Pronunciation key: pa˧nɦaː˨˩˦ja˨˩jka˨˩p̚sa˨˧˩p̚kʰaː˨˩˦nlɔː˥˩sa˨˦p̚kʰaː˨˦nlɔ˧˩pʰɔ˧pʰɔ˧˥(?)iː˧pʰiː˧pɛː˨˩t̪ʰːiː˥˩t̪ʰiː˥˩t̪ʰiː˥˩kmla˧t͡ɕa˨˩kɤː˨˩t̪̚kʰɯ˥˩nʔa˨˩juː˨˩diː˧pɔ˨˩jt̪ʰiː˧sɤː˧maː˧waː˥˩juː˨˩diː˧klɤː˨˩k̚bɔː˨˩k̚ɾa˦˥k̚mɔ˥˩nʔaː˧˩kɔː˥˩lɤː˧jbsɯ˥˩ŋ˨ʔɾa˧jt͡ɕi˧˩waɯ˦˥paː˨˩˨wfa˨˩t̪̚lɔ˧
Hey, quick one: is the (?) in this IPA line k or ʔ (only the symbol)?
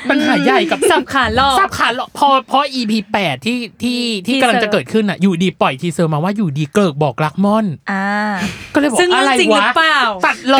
ʔ